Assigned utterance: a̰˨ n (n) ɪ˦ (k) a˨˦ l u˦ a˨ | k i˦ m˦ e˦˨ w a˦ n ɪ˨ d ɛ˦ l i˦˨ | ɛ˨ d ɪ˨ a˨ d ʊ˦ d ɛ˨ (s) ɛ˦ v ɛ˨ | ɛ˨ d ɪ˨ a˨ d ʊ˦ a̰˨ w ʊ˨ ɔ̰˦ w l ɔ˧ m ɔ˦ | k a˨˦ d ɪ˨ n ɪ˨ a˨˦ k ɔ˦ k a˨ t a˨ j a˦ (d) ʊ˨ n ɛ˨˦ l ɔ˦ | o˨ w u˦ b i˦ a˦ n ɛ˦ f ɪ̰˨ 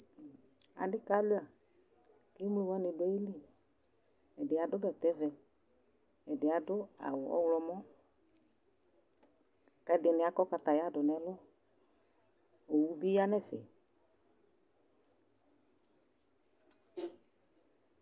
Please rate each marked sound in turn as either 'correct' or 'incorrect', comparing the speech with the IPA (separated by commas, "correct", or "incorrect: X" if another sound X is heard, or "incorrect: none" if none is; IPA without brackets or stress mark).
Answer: incorrect: d, correct, incorrect: t, correct